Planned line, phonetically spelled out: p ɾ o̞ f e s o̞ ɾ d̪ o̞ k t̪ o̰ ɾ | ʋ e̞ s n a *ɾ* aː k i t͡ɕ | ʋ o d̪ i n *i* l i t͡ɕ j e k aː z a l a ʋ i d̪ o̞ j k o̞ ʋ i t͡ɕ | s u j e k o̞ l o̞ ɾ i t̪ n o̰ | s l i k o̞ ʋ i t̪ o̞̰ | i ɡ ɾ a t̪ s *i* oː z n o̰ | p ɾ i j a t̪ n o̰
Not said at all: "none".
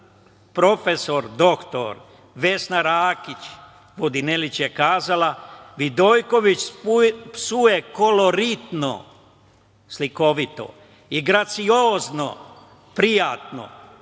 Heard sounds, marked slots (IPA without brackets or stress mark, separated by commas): ɾ, e, i